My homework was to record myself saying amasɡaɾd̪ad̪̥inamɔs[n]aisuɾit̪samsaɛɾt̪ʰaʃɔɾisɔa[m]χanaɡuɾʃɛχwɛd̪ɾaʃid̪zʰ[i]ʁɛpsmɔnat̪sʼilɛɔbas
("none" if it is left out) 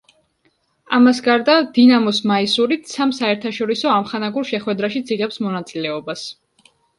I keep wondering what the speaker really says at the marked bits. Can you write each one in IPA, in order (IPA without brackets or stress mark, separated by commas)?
m, m, i